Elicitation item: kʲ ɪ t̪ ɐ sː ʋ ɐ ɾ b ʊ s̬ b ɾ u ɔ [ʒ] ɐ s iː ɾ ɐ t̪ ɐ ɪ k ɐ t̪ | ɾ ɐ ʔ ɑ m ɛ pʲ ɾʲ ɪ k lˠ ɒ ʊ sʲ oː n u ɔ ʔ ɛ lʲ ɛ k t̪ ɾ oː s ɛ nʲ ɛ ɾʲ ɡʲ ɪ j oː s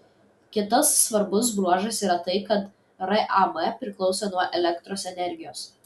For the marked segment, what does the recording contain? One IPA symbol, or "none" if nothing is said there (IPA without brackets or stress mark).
ʒ